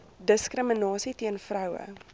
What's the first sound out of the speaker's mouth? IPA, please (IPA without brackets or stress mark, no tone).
d